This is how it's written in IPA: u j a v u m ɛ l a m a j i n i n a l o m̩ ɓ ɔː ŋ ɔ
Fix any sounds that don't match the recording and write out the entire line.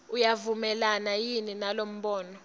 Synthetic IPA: u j a v u m ɛ l a n a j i n i n a l o m̩ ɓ ɔː n ɔ